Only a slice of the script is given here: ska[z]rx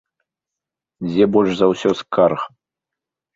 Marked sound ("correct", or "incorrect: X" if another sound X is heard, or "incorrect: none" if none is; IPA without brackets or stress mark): incorrect: none